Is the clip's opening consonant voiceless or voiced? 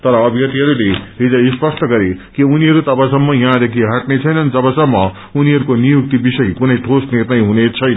voiceless